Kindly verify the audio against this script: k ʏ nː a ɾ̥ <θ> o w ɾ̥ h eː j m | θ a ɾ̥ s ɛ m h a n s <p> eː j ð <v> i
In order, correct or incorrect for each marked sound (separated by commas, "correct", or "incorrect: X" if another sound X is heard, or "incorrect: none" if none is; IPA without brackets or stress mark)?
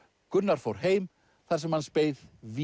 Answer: incorrect: f, correct, correct